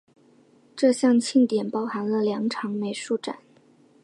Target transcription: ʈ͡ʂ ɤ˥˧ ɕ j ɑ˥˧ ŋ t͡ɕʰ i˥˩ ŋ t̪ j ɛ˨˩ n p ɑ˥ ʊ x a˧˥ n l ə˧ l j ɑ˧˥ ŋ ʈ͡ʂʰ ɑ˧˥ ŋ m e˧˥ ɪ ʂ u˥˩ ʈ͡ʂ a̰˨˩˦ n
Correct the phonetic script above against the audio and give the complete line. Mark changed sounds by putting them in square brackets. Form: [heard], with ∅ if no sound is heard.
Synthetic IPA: ʈ͡ʂ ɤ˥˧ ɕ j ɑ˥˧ ŋ t͡ɕʰ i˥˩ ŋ t̪ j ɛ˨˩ n p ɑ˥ ʊ x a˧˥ n l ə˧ l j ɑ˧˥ ŋ ʈ͡ʂʰ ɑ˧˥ ŋ m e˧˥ ɪ ʂ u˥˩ ʈ͡ʂ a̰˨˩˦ n